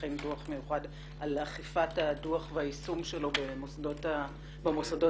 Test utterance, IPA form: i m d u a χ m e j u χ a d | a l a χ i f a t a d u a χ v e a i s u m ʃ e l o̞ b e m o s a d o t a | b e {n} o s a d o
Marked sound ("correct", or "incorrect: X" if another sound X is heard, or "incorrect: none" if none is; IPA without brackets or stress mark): incorrect: m